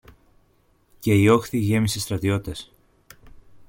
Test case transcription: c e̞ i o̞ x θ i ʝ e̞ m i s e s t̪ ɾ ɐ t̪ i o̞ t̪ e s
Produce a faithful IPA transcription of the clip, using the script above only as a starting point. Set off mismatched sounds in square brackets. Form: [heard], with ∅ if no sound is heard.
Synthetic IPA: c e̞ i o̞ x θ i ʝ e̞ m i s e s t̪ ɾ ɐ t̪ i o̞ t̪ e s